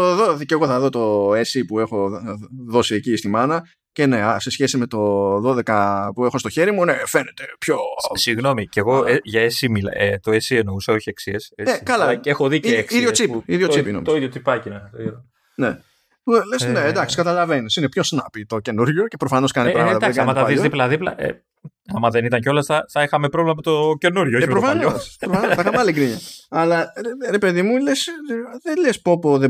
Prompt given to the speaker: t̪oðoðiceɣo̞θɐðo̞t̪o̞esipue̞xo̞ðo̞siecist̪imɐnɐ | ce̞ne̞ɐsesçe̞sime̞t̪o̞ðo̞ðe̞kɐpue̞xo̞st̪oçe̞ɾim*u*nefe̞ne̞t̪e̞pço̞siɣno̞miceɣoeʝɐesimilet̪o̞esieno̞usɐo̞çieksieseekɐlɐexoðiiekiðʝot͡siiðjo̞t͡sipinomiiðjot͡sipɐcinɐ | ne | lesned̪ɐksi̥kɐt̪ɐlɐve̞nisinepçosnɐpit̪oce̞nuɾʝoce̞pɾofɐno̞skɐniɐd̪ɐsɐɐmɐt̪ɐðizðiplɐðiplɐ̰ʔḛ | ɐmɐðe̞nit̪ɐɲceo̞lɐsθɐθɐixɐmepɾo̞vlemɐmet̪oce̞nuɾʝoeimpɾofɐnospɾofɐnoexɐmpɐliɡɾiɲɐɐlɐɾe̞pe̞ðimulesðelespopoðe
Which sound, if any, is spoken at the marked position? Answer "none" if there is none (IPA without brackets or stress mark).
u